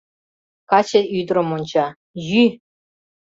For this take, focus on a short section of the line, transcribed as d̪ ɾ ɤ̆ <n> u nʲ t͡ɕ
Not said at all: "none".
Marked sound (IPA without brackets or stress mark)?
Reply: m